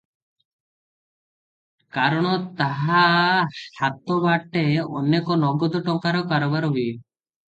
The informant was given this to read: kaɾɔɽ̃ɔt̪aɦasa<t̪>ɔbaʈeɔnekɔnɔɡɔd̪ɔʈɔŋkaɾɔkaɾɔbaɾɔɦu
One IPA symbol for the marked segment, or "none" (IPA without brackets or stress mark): t̪